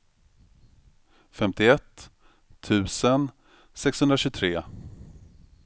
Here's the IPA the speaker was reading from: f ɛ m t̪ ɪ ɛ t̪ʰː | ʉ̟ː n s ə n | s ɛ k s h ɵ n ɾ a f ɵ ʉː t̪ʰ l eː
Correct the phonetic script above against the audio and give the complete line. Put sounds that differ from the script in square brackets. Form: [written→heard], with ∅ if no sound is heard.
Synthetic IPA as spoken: f ɛ m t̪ ɪ ɛ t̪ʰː | ʉ̟ː [n→∅] s ə n | s ɛ k s h ɵ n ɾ a [f→ɕ] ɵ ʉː t̪ʰ [l→ɾ] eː